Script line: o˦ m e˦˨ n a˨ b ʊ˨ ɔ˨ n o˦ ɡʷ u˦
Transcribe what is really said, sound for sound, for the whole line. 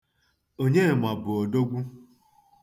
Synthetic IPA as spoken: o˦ ɲ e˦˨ m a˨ b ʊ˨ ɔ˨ d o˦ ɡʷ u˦